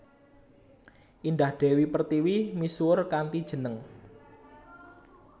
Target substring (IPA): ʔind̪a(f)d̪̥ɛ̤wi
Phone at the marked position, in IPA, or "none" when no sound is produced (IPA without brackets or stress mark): h